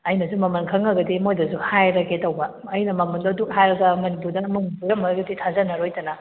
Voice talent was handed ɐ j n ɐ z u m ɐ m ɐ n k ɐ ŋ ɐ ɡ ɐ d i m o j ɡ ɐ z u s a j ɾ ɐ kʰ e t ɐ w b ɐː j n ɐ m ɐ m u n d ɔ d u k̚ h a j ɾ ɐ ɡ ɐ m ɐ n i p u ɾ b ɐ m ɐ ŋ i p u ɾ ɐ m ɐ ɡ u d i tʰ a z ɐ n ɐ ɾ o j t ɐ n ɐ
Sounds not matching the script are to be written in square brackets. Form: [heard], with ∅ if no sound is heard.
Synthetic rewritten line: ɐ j n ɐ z u m ɐ m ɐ n [kʰ] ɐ ŋ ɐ ɡ ɐ d i m o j [d] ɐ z u [h] a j ɾ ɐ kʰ e t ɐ w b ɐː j n ɐ m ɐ m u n d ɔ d u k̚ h a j ɾ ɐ ɡ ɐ m ɐ n i p u ɾ [d] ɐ m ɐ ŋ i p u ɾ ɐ m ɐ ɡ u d i tʰ a z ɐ n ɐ ɾ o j t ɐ n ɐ